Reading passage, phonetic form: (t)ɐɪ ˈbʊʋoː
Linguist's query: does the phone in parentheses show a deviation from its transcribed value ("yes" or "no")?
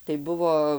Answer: no